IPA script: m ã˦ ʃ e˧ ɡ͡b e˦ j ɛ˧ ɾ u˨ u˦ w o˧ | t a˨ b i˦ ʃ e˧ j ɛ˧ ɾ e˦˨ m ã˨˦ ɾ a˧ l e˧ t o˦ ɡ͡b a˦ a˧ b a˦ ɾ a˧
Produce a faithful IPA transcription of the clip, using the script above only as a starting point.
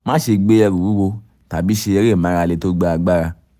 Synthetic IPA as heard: m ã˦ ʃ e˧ ɡ͡b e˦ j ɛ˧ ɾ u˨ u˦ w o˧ | t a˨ b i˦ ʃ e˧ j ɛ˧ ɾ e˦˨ m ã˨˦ ɾ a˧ l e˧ t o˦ ɡ͡b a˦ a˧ ɡ͡b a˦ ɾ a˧